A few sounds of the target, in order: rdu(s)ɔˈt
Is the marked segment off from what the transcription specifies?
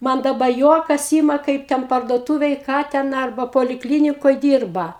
yes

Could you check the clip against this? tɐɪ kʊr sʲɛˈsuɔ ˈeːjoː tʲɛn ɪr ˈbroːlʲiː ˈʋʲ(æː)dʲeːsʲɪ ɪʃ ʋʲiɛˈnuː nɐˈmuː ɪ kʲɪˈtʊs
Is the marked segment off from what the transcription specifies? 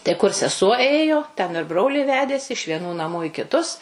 no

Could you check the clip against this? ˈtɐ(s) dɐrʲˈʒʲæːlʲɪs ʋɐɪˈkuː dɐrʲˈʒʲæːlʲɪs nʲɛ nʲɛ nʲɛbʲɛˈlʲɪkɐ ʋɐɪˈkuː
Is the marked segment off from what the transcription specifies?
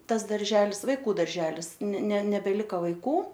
no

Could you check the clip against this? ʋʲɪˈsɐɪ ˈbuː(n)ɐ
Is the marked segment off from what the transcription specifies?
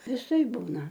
no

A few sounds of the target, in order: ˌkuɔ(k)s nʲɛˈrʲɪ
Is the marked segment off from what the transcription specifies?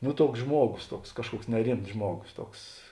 no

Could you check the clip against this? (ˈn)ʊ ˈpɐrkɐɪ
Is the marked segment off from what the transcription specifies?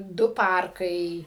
yes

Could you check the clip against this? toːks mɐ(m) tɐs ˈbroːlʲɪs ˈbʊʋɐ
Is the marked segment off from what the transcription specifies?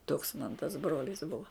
yes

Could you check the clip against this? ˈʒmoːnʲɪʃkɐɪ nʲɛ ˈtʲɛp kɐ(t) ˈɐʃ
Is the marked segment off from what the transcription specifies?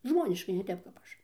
yes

